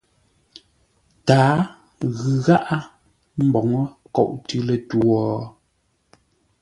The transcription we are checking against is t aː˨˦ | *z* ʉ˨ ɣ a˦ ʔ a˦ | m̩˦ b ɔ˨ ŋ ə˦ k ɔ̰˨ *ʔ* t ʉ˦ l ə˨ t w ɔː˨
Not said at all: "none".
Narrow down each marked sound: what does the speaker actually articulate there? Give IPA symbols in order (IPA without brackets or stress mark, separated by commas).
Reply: ɣ, ʔ